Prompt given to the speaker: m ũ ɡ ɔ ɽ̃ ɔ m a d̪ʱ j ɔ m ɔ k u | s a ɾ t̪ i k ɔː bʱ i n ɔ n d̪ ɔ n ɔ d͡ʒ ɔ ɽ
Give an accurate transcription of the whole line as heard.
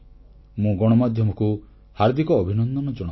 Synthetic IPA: m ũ ɡ ɔ ɽ̃ ɔ m a d̪ʱ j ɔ m ɔ k u | h a ɾ d̪ i k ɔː bʱ i n ɔ n d̪ ɔ n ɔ d͡ʒ ɔ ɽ